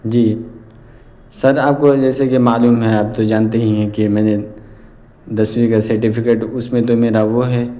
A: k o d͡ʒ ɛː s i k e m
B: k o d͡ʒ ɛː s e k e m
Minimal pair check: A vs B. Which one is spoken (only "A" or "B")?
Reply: B